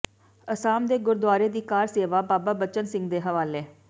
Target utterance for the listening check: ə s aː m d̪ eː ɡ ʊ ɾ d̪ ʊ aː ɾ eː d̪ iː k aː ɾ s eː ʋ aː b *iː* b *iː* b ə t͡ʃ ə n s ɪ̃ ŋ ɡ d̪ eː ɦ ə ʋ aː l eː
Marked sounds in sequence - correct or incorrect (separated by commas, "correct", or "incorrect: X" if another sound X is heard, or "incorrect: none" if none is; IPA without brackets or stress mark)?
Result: incorrect: aː, incorrect: aː